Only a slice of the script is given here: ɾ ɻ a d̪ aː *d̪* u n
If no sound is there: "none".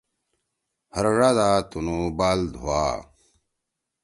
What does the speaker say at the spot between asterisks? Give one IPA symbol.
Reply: t̪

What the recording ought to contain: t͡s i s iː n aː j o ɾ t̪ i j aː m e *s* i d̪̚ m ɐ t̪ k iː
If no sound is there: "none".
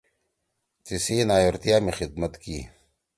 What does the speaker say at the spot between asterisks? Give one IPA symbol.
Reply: x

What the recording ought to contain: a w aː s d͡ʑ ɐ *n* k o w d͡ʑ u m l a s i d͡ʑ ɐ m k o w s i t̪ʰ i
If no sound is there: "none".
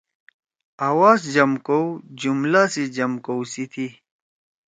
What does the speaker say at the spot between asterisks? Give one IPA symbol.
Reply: m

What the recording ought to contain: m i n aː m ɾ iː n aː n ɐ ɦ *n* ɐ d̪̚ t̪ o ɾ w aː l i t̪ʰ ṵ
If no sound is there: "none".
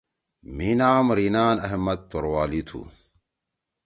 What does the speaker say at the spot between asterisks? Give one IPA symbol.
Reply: m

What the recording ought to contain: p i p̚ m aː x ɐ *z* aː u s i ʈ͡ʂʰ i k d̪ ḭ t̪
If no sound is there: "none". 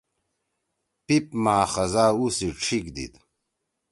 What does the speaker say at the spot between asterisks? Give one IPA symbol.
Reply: z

